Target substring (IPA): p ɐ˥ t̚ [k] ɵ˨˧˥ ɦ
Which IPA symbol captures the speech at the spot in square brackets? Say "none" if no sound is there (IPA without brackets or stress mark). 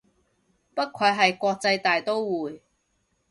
kʰ